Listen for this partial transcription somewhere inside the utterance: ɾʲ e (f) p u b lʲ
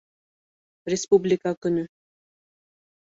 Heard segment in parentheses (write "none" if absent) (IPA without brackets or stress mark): s